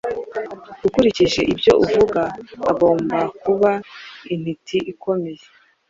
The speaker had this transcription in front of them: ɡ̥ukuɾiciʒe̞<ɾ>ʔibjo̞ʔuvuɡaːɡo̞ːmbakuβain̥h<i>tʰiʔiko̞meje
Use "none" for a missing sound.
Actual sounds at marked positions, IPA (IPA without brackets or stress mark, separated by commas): none, i